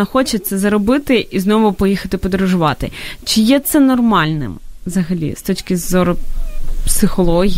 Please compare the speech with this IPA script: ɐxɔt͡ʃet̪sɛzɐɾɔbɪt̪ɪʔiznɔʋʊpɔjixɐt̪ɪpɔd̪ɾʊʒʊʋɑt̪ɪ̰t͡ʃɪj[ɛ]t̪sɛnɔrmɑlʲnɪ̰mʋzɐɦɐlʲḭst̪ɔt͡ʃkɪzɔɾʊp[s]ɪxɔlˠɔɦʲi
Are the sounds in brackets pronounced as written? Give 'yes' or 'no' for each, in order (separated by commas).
yes, yes